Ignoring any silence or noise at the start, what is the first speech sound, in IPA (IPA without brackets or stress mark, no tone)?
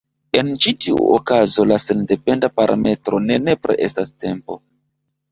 e̞